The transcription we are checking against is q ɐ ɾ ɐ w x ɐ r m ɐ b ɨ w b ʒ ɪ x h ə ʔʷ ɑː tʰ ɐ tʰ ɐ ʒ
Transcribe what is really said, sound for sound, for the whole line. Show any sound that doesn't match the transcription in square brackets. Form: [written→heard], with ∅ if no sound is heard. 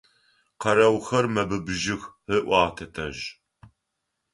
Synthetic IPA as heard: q ɐ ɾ ɐ w x ɐ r m ɐ b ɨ [w→∅] b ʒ ɪ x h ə ʔʷ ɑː tʰ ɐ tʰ ɐ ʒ

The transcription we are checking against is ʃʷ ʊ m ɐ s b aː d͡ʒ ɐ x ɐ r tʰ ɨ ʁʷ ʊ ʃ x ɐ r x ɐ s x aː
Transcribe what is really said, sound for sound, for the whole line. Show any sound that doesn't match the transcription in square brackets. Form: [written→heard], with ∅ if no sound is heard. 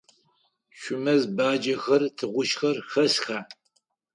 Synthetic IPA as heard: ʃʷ ʊ m ɐ [s→z] b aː d͡ʒ ɐ x ɐ r tʰ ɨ ʁʷ ʊ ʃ x ɐ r x ɐ s x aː

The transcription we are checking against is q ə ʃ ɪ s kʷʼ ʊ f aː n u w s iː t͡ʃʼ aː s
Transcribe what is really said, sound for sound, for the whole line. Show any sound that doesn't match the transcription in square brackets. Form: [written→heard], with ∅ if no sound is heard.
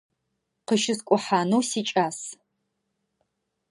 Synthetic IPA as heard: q ə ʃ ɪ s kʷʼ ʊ [f→ħ] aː n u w s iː t͡ʃʼ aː s

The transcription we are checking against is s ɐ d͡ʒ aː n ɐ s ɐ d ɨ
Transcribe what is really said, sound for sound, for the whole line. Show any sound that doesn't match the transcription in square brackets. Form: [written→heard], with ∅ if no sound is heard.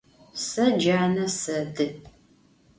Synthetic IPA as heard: s ɐ d͡ʒ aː n ɐ s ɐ d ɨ

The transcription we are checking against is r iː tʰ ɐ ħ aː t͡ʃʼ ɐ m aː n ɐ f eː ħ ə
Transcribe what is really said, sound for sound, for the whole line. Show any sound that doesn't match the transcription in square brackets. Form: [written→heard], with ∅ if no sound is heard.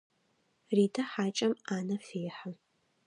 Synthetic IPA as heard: r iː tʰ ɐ ħ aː t͡ʃʼ ɐ m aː n ɐ f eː ħ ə

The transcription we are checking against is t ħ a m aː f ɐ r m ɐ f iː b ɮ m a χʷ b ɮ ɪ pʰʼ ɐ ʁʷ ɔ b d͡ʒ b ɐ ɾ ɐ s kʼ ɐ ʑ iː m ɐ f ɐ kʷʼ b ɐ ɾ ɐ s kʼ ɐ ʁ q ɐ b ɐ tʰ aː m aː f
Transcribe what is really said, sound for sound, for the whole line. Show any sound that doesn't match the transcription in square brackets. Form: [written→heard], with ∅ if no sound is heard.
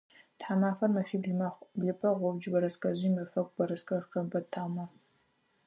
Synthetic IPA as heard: t ħ a m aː f ɐ r m ɐ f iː b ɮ m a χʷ b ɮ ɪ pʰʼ ɐ ʁʷ ɔ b d͡ʒ b ɐ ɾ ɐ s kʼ ɐ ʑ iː m ɐ f ɐ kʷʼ b ɐ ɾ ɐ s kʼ ɐ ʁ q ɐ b ɐ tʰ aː m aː f

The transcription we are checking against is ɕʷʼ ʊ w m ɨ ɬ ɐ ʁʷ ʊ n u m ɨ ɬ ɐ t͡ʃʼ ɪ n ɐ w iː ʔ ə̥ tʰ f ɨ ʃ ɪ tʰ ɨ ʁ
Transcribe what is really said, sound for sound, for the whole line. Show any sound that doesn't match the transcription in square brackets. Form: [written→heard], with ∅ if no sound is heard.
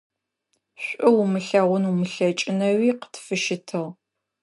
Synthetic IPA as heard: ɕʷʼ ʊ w m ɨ ɬ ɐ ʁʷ ʊ n u m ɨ ɬ ɐ t͡ʃʼ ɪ n ɐ w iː [ʔ→q] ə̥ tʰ f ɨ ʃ ɪ tʰ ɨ ʁ

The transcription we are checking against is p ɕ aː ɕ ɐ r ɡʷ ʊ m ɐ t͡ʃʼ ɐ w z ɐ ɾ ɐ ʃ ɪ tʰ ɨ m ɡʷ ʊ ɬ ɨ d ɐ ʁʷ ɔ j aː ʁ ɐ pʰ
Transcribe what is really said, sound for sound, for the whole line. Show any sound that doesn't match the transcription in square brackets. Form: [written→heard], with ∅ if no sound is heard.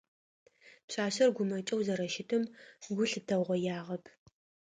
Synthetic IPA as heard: p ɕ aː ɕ ɐ r ɡʷ ʊ m ɐ t͡ʃʼ ɐ w z ɐ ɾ ɐ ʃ ɪ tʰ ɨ m ɡʷ ʊ ɬ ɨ d ɐ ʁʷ ɔ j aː ʁ ɐ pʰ

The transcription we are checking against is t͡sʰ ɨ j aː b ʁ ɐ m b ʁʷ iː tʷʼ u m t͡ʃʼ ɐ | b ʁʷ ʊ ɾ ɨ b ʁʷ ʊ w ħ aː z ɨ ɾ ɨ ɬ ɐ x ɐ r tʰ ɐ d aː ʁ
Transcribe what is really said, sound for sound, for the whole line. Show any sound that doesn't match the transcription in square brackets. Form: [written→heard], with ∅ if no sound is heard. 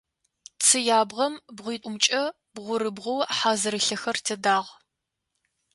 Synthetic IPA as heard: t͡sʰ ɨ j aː b ʁ ɐ m b ʁʷ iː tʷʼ [u→ʊ] m t͡ʃʼ ɐ | b ʁʷ ʊ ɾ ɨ b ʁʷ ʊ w ħ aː z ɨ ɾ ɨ ɬ ɐ x ɐ r tʰ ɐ d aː ʁ

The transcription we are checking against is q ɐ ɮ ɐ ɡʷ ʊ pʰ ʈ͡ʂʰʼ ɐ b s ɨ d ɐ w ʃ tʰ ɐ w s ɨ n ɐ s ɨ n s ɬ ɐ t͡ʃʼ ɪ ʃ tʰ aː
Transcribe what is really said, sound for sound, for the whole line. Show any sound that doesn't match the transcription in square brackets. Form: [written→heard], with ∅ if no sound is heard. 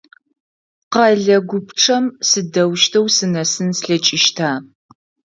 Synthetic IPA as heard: q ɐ ɮ ɐ ɡʷ ʊ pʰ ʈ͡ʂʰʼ ɐ [b→m] s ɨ d ɐ w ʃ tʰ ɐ w s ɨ n ɐ s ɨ n s ɬ ɐ t͡ʃʼ ɪ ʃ tʰ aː

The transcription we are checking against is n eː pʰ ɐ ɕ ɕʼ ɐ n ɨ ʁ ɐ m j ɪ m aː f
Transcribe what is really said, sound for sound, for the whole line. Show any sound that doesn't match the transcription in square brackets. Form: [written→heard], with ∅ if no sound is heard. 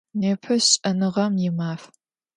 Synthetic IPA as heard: n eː pʰ ɐ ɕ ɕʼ ɐ n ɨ ʁ ɐ m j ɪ m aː f

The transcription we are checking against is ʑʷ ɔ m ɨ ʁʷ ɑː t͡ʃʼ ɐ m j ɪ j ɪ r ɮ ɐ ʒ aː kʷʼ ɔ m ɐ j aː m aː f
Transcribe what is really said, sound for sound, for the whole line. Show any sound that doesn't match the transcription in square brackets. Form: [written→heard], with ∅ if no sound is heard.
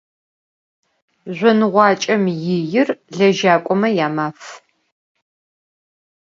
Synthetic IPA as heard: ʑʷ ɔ [m→n] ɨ ʁʷ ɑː t͡ʃʼ ɐ m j ɪ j ɪ r ɮ ɐ ʒ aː kʷʼ ɔ m ɐ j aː m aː f

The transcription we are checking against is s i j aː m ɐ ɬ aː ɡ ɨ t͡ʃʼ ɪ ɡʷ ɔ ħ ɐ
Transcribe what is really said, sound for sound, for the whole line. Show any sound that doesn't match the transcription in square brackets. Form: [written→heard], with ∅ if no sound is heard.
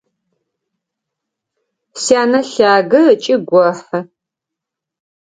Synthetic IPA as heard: s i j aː [m→n] ɐ ɬ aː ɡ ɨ t͡ʃʼ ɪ ɡʷ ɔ ħ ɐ

